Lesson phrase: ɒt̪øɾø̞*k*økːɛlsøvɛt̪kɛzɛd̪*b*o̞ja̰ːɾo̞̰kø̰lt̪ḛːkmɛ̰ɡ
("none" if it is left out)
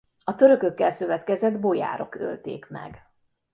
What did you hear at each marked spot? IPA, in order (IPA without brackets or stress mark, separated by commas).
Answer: k, b